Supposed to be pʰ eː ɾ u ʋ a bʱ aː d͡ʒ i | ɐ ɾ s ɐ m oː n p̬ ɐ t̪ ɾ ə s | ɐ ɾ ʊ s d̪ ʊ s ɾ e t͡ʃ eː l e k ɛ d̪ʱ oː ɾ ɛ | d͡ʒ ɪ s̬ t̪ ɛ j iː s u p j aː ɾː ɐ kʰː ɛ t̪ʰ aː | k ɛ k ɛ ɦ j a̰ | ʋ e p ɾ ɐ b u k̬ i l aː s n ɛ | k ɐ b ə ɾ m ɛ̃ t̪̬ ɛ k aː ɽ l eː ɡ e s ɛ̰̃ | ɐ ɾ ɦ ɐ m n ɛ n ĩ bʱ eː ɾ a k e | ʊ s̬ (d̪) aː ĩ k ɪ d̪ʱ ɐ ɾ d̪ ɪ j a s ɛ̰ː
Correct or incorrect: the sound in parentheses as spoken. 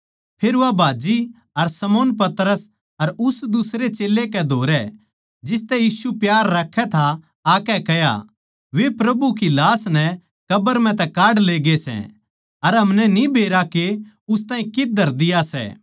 incorrect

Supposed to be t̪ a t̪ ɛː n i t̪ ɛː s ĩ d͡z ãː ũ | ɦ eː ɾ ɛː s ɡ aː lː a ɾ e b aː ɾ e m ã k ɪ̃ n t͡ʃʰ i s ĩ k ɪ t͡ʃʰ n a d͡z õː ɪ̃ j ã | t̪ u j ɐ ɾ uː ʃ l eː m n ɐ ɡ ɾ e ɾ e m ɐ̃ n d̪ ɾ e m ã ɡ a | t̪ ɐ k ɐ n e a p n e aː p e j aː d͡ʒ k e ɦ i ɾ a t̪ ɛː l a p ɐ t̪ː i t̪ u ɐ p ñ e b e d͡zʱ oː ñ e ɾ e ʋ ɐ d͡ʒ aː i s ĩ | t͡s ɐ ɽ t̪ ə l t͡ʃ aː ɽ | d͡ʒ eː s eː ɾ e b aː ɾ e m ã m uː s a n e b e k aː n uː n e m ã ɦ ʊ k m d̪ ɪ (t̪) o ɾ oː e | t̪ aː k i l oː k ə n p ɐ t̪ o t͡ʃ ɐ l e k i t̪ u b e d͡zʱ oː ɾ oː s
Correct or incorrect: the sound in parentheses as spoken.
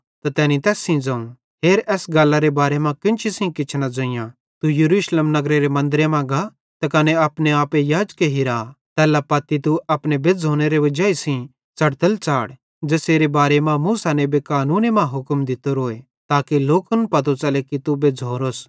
correct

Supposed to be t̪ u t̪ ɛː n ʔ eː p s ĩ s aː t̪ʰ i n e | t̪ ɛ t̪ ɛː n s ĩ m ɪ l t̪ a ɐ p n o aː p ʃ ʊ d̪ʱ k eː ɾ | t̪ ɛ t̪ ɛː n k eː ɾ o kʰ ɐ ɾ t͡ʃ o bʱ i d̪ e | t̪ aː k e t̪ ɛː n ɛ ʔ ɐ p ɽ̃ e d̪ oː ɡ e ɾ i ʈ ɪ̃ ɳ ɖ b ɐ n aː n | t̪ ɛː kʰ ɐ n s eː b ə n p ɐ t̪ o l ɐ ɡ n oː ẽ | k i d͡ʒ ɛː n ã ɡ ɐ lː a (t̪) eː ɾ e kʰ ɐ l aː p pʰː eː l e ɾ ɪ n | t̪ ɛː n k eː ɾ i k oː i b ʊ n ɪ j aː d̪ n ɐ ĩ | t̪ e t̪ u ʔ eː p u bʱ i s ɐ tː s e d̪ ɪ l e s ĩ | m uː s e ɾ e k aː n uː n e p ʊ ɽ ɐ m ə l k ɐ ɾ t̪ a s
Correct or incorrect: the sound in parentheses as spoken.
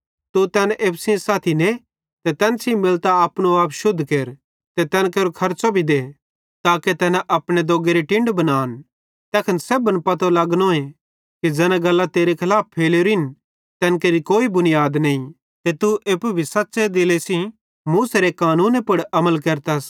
correct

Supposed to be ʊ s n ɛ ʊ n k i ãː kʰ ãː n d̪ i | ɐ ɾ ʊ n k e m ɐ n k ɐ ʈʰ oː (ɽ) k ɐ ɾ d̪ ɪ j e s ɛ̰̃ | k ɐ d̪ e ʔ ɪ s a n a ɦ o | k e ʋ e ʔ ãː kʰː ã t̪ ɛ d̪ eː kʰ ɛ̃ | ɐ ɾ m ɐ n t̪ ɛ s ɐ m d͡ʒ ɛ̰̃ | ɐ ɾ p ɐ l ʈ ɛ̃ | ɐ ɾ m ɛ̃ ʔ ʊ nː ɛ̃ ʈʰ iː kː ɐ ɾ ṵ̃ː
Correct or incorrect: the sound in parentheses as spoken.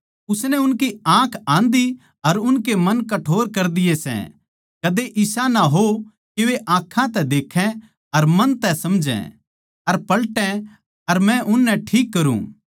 incorrect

